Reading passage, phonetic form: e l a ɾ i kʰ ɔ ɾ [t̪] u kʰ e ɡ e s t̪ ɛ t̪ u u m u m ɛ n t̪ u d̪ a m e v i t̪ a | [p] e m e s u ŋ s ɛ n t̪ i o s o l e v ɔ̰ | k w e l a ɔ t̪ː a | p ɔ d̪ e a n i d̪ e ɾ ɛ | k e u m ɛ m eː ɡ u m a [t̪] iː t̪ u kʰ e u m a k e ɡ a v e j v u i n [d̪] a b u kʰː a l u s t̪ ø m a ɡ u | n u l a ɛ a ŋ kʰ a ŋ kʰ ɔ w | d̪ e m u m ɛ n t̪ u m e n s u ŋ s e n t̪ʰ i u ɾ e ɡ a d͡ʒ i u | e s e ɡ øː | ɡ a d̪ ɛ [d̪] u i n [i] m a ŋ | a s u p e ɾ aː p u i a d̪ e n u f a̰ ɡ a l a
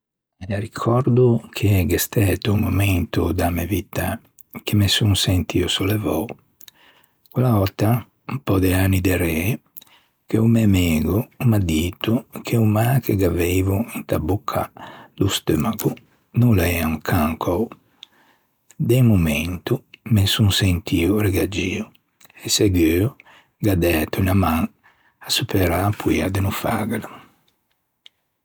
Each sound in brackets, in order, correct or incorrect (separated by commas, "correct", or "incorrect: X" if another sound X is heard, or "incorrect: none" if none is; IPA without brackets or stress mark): incorrect: d̪, incorrect: k, incorrect: d̪, incorrect: t̪, incorrect: t̪, incorrect: a